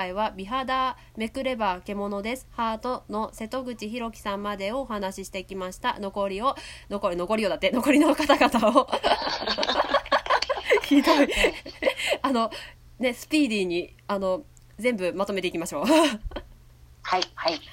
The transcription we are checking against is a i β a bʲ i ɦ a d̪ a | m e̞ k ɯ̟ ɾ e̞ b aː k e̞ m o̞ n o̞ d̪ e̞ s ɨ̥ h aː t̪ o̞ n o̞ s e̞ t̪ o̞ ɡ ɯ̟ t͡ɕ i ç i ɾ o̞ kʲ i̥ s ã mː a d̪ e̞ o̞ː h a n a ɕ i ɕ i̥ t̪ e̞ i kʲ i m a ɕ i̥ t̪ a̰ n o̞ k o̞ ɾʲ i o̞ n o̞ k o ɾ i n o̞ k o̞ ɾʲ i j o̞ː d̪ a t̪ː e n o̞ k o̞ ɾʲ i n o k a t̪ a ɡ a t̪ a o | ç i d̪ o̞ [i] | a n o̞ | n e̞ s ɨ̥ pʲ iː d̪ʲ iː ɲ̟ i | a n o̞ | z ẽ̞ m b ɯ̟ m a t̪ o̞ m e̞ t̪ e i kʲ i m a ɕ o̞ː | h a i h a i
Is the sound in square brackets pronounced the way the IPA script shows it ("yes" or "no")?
yes